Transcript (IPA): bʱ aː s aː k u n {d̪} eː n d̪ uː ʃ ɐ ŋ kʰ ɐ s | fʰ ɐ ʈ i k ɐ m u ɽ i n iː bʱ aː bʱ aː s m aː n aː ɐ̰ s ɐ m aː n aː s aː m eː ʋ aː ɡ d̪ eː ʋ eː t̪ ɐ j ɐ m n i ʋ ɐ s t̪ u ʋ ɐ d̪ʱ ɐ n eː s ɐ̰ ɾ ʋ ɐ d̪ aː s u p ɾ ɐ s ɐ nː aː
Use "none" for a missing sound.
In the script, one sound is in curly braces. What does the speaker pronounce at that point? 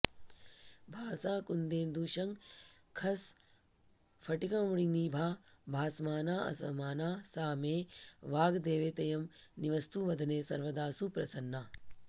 d̪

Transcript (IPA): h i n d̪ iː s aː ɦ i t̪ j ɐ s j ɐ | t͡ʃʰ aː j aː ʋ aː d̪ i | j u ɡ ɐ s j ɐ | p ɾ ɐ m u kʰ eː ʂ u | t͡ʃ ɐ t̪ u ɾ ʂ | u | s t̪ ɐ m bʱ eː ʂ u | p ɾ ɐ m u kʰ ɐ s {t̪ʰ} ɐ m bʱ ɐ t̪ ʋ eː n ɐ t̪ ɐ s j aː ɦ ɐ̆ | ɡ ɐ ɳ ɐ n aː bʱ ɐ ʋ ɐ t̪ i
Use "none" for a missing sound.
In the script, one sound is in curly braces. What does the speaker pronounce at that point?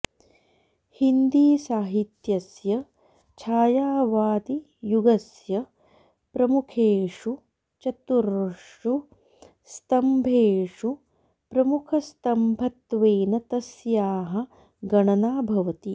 t̪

